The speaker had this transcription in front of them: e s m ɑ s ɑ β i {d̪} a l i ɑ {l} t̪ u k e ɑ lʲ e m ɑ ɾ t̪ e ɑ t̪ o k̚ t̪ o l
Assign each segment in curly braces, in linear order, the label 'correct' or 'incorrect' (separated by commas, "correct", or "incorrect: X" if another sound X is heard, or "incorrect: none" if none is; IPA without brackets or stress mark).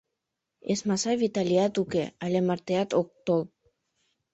incorrect: t̪, incorrect: none